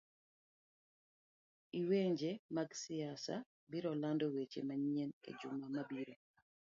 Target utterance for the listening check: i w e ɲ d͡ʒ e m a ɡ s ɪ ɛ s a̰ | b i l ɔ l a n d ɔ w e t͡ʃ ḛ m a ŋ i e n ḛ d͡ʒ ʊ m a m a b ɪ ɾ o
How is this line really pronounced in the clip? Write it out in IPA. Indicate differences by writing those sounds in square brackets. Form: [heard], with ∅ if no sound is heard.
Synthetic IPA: i w e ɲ d͡ʒ e m a ɡ s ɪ [a] s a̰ | b i [ɾ] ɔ l a n d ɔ w e t͡ʃ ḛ m a [ɲ] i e n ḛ d͡ʒ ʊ m a m a b [i] ɾ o